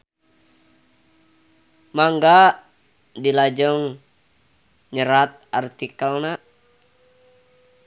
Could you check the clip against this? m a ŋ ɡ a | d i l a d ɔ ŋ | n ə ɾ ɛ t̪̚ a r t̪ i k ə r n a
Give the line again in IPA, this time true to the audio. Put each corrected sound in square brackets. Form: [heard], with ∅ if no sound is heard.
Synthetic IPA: m a ŋ ɡ a | d i l a [d͡ʒ] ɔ ŋ | [ɲ] ə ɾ [a] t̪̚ a r t̪ i k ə [l] n a